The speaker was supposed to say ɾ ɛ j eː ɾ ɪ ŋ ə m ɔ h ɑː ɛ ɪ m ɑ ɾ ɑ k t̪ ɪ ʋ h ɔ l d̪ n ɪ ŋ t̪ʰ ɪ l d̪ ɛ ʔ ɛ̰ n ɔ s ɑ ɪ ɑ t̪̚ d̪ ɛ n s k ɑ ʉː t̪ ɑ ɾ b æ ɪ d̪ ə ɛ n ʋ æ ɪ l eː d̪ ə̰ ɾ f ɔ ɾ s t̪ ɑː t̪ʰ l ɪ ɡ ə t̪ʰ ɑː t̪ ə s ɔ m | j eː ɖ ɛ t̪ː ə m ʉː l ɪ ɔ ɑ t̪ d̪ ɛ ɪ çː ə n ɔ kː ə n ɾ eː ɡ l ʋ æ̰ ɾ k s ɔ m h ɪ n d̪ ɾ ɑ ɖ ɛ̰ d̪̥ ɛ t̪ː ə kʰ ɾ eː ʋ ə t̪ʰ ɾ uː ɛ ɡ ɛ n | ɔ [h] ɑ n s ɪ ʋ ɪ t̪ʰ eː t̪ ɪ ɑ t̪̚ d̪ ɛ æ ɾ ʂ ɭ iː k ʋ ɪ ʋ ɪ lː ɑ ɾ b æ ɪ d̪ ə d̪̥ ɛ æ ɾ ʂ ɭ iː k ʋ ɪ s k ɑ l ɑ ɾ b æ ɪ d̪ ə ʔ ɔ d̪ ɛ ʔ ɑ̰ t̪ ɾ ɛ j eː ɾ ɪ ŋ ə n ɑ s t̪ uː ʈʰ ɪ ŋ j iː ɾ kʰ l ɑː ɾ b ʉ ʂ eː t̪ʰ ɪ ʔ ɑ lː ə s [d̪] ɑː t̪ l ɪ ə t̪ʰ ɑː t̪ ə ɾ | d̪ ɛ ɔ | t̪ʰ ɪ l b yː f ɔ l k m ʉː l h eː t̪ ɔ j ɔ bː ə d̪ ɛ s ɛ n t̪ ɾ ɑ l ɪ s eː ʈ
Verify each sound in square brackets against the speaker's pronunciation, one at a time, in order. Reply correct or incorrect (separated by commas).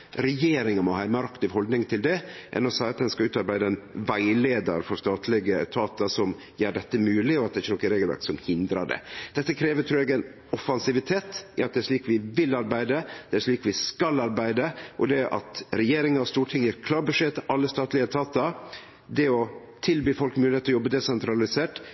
incorrect, incorrect